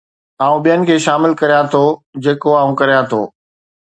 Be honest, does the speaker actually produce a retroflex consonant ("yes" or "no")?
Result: no